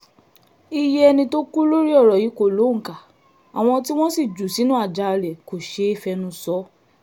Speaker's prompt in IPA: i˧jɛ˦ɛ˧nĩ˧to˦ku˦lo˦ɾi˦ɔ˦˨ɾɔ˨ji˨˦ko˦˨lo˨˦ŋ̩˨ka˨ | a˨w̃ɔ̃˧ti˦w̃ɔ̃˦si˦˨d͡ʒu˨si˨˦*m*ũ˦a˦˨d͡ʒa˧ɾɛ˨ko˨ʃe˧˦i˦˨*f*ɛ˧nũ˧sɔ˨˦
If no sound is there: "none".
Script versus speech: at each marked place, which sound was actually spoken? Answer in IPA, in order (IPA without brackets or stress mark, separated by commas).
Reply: n, f